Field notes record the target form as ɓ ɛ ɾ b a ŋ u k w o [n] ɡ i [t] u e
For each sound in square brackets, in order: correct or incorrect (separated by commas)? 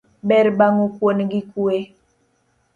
correct, incorrect